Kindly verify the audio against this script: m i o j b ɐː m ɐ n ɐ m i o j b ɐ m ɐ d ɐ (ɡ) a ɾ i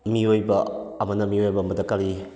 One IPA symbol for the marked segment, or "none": k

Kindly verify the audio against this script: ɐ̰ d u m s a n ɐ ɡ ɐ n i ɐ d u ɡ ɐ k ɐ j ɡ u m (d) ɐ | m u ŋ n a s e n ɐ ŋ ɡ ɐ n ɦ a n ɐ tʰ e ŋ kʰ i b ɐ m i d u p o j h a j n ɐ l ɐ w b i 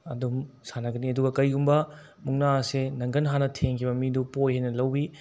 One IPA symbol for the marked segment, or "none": b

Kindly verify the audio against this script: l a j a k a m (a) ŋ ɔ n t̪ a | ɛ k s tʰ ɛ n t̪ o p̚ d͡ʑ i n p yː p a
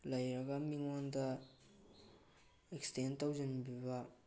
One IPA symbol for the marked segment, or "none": i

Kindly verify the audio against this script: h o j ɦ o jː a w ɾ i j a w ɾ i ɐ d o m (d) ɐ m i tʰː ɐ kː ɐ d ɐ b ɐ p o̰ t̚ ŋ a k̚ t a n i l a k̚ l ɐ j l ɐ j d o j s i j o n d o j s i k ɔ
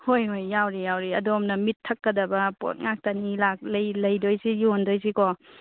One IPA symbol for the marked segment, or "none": n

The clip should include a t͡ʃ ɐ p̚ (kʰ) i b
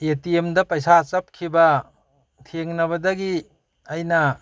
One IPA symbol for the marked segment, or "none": kʰ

